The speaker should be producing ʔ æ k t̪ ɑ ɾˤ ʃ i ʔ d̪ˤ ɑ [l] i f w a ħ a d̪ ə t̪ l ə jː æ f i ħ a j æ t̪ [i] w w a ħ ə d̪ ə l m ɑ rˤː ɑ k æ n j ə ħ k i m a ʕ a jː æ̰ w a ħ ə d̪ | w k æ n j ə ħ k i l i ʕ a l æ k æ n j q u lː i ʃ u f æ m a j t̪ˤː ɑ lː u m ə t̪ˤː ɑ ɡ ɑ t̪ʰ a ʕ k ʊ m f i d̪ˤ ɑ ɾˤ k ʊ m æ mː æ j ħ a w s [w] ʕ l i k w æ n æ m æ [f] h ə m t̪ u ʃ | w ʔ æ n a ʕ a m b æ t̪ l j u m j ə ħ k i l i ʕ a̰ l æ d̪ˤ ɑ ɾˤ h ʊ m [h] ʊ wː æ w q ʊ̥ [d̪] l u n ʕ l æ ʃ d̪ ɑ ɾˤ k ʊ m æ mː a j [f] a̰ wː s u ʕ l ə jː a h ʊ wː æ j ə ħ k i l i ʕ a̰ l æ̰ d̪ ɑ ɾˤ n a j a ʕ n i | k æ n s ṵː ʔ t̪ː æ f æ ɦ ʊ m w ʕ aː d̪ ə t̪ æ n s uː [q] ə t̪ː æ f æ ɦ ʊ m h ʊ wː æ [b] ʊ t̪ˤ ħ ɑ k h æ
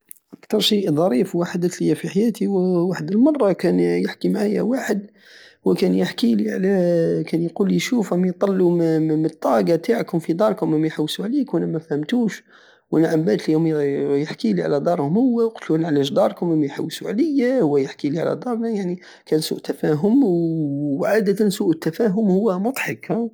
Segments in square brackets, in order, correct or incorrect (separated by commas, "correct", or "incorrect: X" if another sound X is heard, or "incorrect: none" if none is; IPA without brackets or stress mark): incorrect: ɾ, correct, incorrect: u, correct, correct, incorrect: t̪, incorrect: ħ, incorrect: ʔ, incorrect: m